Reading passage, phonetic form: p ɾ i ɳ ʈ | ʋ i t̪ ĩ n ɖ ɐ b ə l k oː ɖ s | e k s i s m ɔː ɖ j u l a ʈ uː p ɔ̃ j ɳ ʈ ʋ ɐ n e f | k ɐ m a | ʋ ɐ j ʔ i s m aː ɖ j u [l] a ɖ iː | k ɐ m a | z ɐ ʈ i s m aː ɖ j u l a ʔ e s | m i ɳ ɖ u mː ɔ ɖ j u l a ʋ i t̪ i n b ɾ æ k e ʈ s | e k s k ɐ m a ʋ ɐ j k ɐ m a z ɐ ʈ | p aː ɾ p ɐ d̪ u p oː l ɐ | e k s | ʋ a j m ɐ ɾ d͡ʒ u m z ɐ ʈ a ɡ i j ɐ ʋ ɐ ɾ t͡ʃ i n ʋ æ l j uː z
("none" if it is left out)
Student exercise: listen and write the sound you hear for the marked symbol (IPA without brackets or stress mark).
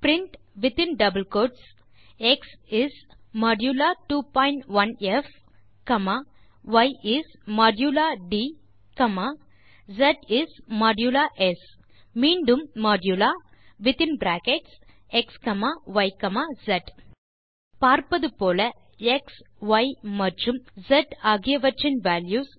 l